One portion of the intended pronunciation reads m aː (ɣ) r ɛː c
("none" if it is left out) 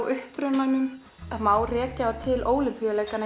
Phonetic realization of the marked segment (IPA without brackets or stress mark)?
w